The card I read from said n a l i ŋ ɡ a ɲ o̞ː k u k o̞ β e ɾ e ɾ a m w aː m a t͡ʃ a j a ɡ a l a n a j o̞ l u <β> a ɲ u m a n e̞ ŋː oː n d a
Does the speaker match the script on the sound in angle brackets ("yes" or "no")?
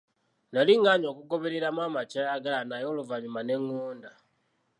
no